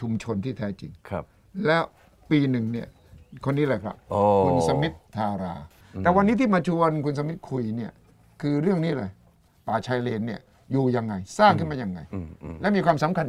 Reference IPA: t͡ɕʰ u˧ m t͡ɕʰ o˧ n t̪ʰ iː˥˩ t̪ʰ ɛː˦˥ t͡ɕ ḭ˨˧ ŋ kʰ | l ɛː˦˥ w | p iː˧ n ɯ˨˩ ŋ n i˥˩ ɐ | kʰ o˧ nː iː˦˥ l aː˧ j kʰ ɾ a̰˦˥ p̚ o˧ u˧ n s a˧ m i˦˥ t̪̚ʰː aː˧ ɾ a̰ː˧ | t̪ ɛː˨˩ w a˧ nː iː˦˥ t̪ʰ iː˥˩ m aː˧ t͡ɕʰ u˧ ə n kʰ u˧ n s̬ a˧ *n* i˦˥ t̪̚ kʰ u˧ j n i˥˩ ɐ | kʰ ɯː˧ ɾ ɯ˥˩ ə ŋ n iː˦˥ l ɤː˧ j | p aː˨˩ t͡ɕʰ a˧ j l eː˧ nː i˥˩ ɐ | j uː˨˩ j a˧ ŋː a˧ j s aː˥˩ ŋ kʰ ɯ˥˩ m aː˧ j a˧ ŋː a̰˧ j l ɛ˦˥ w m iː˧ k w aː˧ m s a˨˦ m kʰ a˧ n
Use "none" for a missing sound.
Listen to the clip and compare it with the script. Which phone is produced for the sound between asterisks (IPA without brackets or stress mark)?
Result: m